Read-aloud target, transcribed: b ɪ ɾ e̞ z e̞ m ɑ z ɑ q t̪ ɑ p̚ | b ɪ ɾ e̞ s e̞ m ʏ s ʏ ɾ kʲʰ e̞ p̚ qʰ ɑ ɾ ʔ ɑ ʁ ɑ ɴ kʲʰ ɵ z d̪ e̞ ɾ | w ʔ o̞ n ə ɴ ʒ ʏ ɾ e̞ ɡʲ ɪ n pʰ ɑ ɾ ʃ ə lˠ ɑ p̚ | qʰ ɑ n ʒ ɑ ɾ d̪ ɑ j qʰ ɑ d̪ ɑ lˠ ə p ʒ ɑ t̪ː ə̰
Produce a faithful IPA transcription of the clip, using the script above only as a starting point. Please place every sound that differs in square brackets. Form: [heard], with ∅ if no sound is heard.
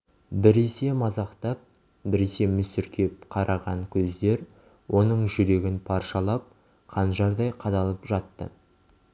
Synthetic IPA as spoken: b ɪ ɾ e̞ [s] e̞ m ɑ z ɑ q t̪ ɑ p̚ | b ɪ ɾ e̞ s e̞ m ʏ s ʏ ɾ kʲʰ e̞ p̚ qʰ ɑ ɾ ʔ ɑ ʁ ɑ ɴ kʲʰ ɵ z d̪ e̞ ɾ | w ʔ o̞ n ə ɴ ʒ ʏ ɾ e̞ ɡʲ ɪ n pʰ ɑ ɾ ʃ [ɑ] lˠ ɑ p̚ | qʰ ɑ n ʒ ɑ ɾ d̪ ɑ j qʰ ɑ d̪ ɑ lˠ ə p ʒ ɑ t̪ː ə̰